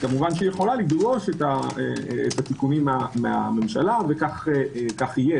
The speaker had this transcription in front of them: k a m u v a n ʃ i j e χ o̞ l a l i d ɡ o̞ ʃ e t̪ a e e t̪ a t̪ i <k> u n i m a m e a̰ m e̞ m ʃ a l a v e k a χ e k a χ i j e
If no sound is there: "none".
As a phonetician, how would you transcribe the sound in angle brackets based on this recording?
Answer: k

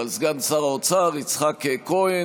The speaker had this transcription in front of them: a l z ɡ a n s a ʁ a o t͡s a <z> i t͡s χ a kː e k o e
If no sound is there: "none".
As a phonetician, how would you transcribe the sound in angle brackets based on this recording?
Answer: ʁ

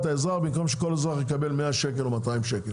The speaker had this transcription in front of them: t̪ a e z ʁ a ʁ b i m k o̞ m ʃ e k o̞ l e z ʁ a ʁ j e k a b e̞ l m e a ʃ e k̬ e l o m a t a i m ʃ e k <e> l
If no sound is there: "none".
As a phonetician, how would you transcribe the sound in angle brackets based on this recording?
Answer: e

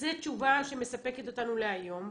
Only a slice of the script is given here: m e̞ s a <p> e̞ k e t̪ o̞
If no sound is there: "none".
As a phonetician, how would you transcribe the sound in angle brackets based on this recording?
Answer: p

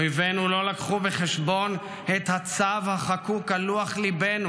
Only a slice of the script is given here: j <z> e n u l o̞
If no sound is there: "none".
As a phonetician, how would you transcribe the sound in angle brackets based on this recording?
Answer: v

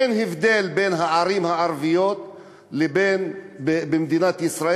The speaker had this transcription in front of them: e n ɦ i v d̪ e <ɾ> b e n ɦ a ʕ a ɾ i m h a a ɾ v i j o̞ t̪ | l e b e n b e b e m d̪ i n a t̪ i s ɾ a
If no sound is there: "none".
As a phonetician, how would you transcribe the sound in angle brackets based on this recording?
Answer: l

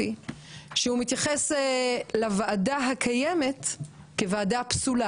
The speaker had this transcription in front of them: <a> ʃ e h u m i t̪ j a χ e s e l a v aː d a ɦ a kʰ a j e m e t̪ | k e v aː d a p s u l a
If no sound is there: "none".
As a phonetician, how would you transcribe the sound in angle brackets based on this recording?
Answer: i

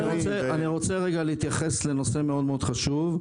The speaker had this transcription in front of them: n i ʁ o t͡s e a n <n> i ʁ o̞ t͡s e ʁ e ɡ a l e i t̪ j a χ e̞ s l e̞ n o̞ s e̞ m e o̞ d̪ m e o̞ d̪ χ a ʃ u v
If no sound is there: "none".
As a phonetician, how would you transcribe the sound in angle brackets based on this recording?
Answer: n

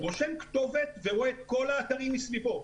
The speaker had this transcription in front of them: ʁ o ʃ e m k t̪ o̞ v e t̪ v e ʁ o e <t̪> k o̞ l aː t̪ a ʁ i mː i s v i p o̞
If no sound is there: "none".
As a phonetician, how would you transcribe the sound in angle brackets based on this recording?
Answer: t̪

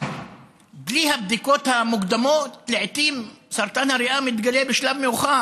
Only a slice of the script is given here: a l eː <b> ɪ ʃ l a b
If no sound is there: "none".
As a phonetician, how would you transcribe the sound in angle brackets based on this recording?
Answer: b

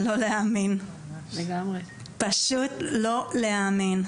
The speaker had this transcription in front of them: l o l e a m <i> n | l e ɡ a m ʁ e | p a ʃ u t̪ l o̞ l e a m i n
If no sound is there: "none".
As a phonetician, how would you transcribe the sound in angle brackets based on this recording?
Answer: i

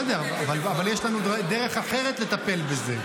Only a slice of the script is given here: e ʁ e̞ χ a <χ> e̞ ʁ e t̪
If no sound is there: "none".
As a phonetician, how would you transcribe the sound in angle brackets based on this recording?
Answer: χ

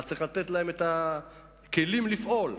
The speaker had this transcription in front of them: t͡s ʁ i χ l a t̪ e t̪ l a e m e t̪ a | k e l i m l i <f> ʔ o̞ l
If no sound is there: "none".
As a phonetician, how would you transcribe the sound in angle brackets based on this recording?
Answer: f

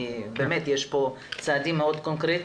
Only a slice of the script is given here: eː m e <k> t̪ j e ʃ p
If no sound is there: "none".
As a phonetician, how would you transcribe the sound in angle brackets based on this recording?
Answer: none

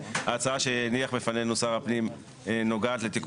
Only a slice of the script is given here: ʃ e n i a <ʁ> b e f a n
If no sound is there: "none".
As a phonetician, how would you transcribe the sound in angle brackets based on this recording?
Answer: χ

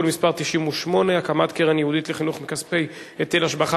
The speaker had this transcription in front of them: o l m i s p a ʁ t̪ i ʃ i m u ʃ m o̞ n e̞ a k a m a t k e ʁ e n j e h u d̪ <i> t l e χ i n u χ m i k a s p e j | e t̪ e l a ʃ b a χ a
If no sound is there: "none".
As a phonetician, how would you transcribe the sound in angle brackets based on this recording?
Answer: i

